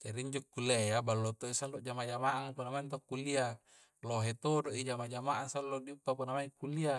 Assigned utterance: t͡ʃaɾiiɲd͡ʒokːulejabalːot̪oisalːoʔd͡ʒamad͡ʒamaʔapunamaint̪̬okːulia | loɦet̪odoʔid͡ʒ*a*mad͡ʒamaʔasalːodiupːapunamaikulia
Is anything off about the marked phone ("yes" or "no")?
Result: no